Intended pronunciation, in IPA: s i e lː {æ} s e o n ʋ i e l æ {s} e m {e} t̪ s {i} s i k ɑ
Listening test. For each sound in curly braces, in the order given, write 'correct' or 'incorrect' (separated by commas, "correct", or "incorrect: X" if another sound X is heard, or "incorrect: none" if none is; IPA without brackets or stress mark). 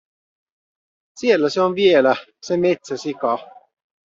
correct, correct, correct, incorrect: æ